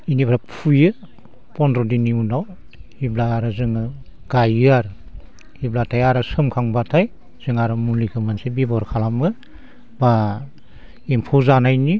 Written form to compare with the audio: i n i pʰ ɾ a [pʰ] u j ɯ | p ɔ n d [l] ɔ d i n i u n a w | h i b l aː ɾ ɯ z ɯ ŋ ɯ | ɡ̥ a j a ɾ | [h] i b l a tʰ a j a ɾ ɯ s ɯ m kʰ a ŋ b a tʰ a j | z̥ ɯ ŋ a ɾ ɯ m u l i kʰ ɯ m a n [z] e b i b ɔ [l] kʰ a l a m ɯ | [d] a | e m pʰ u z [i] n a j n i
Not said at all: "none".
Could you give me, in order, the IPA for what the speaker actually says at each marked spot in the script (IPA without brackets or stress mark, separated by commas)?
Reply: pʰ, ɾ, h, s, ɾ, b, a